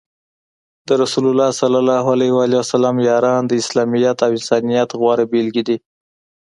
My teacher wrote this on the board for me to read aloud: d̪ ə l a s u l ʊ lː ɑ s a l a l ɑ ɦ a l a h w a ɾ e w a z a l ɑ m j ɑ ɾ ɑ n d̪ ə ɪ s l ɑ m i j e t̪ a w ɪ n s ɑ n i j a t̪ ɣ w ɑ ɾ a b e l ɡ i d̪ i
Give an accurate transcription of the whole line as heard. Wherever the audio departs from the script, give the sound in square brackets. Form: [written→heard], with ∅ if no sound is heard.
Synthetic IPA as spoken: d̪ ə [l→ɾ] a s u l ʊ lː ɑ s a l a l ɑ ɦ a l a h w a [ɾ→l] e w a [z→s] a l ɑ m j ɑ ɾ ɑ n d̪ ə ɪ s l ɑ m i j [e→a] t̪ a w ɪ n s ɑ n i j a t̪ ɣ w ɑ ɾ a b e l ɡ i d̪ i